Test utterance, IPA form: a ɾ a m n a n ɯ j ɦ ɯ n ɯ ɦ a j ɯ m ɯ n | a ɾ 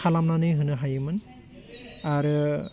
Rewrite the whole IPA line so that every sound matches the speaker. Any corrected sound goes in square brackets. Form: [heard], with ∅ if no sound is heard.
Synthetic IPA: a [l] a m n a n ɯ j ɦ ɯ n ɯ ɦ a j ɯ m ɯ n | a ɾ